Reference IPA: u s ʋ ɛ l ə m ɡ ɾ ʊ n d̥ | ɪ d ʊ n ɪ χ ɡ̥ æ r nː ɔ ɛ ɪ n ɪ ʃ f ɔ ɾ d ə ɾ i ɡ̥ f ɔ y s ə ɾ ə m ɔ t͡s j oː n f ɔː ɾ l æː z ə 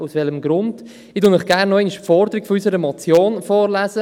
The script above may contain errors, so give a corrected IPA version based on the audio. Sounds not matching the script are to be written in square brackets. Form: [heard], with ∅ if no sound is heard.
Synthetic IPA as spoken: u s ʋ ɛ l ə m ɡ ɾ ʊ n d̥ | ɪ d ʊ n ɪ χ ɡ̥ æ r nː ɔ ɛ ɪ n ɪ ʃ f ɔ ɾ d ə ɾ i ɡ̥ f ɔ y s ə ɾ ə m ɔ t͡s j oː n f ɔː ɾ l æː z ə